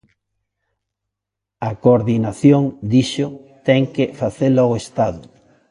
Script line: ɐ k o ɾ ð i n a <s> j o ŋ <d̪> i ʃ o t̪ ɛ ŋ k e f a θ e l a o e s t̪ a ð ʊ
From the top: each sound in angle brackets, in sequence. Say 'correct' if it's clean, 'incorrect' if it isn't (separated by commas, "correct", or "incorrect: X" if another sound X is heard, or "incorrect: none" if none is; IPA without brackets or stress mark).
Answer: incorrect: θ, correct